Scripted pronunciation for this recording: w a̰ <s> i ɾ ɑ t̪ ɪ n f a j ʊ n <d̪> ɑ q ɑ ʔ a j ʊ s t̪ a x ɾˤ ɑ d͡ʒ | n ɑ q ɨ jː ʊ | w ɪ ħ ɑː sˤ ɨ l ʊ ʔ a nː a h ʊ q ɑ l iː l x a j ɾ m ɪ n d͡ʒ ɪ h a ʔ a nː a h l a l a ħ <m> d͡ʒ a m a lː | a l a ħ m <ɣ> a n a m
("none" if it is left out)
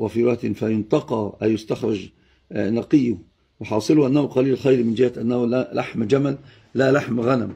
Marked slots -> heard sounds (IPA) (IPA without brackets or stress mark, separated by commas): f, t̪, m, ɣ